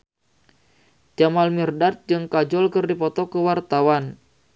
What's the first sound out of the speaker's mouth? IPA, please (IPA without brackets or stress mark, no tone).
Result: d͡ʒ